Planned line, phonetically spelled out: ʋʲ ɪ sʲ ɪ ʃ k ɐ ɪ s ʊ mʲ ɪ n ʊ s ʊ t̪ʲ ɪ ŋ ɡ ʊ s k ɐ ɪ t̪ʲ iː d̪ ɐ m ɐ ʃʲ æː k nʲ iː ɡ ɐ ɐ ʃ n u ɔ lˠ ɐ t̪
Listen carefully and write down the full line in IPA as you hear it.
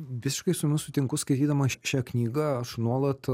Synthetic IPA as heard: ʋʲ ɪ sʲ ɪ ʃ k ɐ ɪ s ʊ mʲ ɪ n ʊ s ʊ t̪ʲ ɪ ŋ k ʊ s k ɐ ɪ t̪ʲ iː d̪ ɐ m ɐ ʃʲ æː k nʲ iː ɡ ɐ ɐ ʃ n u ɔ lˠ ɐ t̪